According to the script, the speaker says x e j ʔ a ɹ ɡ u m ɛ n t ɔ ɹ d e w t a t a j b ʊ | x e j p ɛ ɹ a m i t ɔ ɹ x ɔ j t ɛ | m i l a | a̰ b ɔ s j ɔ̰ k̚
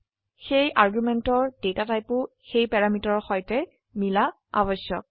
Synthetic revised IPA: x e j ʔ a ɹ ɡ u m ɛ n t ɔ ɹ d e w t a t a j p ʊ | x e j p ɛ ɹ a m i t ɔ ɹ x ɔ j t ɛ | m i l a | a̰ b ɔ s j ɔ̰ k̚